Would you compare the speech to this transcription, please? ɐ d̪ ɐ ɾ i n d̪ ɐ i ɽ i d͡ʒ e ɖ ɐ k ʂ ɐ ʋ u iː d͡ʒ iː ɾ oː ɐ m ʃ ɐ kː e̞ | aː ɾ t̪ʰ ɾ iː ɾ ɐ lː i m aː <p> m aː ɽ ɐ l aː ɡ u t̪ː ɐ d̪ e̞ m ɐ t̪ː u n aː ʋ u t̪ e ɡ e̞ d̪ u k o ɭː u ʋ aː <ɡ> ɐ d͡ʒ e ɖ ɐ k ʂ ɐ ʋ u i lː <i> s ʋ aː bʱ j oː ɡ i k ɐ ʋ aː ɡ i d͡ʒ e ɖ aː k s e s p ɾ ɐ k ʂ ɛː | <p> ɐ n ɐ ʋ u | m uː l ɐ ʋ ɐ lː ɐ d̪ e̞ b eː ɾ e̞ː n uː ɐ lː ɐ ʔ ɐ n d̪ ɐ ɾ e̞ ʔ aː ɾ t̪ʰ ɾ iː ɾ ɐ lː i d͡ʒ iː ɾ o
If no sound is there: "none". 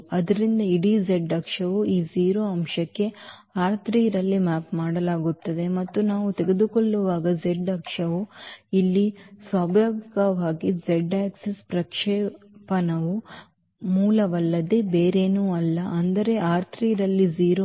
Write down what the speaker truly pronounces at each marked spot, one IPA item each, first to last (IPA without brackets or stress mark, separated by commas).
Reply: p, ɡ, i, p